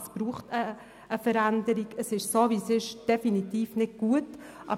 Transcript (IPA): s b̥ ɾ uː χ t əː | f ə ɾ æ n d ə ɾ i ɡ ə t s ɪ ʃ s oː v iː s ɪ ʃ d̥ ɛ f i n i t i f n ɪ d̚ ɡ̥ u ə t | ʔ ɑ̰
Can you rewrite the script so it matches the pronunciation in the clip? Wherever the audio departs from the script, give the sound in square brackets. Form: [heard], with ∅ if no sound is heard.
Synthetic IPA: s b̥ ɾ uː χ t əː | f ə ɾ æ n d ə ɾ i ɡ ə [∅] s ɪ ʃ s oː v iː s ɪ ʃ d̥ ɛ f i n i t [iː] f n ɪ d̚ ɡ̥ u ə t | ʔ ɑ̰